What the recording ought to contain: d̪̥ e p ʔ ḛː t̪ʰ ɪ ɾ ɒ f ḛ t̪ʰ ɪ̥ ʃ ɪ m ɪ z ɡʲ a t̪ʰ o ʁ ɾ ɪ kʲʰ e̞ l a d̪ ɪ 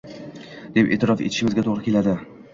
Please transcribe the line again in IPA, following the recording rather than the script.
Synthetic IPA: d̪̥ e p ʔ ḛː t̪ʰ ɪ ɾ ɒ f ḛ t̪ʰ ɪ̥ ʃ ɪ m ɪ z ɡʲ a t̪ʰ o ʁ ɾ ɪ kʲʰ e̞ l a d̪ ɪ